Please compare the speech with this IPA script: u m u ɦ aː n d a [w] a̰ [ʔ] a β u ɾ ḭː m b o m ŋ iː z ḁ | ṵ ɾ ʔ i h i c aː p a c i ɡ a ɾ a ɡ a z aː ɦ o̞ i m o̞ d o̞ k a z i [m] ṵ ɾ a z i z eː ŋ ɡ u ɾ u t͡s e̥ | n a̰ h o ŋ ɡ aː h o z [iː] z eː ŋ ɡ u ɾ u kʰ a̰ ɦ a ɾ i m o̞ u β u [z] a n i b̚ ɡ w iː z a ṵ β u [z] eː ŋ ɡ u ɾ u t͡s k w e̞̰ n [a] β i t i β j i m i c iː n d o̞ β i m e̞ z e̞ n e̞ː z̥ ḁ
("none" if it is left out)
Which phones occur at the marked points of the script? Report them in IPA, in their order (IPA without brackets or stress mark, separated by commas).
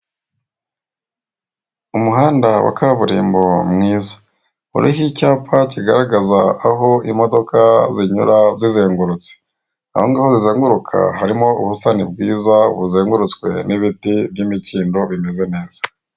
w, k, ɲ, i, s, z, i